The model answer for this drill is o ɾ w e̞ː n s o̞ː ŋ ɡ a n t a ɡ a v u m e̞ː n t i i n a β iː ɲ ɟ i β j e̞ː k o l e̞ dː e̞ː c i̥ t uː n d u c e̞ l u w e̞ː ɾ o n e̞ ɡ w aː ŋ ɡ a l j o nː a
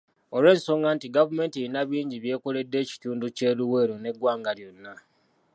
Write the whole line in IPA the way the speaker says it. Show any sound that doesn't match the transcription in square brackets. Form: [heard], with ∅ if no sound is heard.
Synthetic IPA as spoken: o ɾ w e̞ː n s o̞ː ŋ ɡ a n t [i] ɡ a v u m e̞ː n t i i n a β iː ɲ ɟ i β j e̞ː k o l e̞ dː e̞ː c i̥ t uː n d u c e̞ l u w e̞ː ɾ o n e̞ ɡ w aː ŋ ɡ a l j o nː a